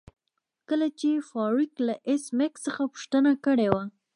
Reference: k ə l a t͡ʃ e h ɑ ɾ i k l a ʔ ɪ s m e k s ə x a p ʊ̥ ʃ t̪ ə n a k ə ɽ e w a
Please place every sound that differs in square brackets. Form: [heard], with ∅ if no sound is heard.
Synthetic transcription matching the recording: k ə l a t͡ʃ e [f] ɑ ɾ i k l a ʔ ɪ s m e k s ə x a p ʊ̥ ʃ t̪ ə n a k ə ɽ e w a